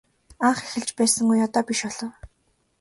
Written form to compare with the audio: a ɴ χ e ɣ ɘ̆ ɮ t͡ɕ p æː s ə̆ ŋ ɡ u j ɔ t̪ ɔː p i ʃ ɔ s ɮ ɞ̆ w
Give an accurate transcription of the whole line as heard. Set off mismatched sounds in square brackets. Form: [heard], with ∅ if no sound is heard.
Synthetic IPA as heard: a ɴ χ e [x] ɘ̆ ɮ t͡ɕ p æː s ə̆ ŋ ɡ u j ɔ t̪ ɔː p i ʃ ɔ [∅] ɮ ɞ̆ w